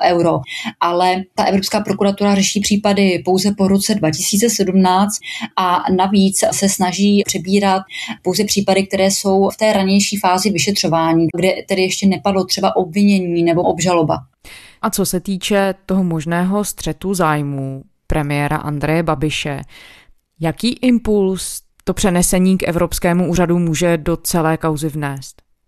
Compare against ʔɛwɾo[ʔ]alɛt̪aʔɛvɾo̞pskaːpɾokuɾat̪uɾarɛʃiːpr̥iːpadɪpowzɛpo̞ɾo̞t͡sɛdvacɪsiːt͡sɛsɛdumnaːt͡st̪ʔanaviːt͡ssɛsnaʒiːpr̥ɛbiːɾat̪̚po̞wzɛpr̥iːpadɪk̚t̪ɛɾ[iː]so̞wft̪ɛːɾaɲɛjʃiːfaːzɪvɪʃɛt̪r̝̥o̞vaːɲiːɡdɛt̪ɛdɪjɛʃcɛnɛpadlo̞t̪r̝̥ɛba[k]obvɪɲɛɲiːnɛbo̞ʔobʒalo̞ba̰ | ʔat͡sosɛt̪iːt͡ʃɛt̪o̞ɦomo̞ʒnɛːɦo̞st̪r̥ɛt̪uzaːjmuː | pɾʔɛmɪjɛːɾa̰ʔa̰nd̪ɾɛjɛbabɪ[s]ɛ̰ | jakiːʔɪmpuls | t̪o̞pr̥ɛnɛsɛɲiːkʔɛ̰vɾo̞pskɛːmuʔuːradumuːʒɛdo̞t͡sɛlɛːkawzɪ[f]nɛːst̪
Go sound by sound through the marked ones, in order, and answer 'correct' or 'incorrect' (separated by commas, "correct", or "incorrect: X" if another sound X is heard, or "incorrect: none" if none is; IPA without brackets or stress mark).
correct, incorrect: ɛː, incorrect: ʔ, incorrect: ʃ, incorrect: v